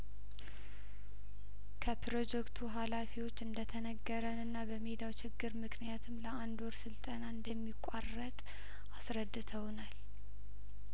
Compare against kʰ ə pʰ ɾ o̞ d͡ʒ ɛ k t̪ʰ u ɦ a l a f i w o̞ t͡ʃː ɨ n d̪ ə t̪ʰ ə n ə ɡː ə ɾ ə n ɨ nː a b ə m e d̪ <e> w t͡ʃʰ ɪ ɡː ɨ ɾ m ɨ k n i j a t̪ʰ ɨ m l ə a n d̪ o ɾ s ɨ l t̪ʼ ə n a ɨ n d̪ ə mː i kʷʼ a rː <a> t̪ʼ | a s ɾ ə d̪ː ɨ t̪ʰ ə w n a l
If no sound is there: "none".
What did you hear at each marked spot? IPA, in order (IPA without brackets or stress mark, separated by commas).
a, ə